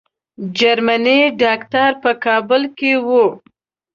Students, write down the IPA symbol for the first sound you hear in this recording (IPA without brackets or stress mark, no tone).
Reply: d͡ʒ